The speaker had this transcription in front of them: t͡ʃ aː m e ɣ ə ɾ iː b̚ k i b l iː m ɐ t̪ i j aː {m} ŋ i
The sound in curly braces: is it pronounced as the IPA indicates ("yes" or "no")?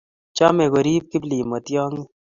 no